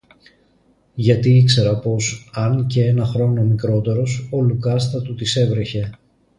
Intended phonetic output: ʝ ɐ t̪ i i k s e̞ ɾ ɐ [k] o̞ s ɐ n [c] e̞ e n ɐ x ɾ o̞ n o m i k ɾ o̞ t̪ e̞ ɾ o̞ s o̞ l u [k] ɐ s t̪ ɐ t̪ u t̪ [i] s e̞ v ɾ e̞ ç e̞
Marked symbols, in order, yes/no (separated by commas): no, yes, yes, yes